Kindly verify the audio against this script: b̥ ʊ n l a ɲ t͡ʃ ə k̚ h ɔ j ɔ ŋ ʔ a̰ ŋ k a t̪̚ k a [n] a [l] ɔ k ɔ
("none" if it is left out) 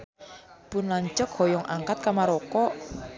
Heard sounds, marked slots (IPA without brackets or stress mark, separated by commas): m, ɾ